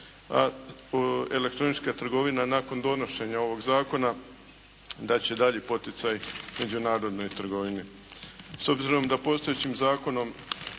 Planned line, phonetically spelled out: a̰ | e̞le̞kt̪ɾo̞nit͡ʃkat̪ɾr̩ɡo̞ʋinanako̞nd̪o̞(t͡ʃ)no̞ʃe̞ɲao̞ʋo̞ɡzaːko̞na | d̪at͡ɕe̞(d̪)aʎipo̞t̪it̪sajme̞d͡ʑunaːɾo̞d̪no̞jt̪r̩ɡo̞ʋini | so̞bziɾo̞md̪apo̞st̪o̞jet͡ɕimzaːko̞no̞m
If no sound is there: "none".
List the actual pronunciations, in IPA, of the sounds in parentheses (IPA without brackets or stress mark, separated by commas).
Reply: none, d̪